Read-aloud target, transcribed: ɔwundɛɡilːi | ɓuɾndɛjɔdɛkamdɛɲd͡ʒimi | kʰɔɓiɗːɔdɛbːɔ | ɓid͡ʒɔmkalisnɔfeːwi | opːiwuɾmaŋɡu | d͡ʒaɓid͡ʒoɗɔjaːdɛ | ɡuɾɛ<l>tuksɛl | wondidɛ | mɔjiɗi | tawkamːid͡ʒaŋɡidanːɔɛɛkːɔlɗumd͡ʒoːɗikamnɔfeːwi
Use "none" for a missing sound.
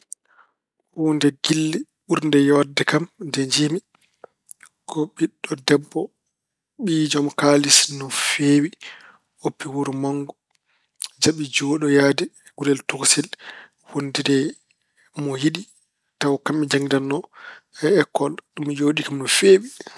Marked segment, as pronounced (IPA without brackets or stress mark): l